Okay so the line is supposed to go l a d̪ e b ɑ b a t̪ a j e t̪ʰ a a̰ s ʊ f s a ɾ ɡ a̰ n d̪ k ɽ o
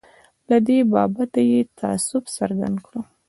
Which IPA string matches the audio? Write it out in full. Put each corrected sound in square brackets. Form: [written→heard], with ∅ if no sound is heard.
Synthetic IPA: l a d̪ e b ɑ b a t̪ a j e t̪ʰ a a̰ s ʊ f s a ɾ ɡ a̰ n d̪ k ɽ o

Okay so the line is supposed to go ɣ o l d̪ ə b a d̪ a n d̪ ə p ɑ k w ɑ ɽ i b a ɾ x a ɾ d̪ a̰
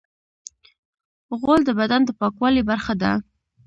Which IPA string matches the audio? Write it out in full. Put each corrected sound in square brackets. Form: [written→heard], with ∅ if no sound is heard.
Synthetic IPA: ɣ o l d̪ ə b a d̪ a n d̪ ə p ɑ k w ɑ [ɽ→l] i b a ɾ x a [ɾ→∅] d̪ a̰

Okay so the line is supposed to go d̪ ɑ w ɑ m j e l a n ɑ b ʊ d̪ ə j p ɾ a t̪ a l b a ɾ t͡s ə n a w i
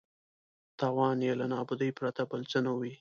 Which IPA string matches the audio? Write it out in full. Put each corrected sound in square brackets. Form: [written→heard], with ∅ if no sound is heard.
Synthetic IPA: [d̪→t̪] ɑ w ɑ [m→n] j e l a n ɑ b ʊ d̪ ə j p ɾ a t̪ a [l→∅] b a [ɾ→l] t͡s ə n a w i

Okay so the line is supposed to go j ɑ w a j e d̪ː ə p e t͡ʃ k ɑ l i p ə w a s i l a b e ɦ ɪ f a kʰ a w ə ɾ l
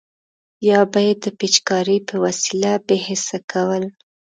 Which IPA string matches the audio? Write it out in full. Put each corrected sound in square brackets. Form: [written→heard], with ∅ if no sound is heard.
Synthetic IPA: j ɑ [w→b] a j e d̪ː ə p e t͡ʃ k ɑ [l→ɾ] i p ə w a s i l a b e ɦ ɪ [f→s] a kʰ a w ə [ɾ→∅] l

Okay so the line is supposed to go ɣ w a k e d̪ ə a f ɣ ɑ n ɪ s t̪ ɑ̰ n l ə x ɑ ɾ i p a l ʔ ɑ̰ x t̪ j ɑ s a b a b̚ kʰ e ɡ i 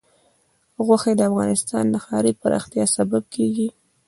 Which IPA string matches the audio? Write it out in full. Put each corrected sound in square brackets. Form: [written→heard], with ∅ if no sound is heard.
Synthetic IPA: ɣ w a [k→x] e d̪ ə a f ɣ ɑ n ɪ s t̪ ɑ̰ n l ə x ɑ ɾ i p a [l→ɾ] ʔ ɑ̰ x t̪ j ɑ s a b a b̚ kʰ e ɡ i

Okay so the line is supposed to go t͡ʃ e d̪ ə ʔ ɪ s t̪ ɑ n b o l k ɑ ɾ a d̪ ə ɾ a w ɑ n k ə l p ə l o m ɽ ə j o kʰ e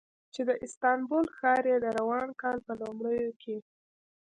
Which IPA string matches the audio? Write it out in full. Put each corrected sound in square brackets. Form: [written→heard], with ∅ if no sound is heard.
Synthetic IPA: t͡ʃ e d̪ ə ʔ ɪ s t̪ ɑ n b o l [k→x] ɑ ɾ [a→e] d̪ ə ɾ a w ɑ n k [ə→ɑ] l p ə l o m ɽ ə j o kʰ e

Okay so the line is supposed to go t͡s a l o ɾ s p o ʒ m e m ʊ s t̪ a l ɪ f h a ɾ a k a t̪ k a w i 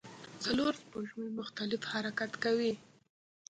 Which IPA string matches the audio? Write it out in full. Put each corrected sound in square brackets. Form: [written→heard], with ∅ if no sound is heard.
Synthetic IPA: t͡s a l o ɾ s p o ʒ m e m ʊ [s→x] t̪ a l ɪ f h a ɾ a k a t̪ k a w i

